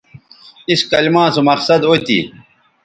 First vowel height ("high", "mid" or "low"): high